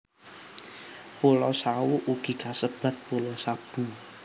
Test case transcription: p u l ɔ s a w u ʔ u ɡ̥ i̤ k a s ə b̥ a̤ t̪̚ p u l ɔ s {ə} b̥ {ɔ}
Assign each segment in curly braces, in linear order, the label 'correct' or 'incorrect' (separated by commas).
incorrect, incorrect